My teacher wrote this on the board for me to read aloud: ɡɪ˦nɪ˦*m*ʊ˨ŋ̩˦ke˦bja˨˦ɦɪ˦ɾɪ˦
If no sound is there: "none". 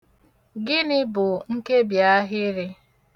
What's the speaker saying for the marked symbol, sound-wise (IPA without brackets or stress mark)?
b